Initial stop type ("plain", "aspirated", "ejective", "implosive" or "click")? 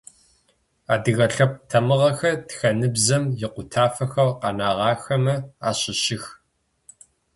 plain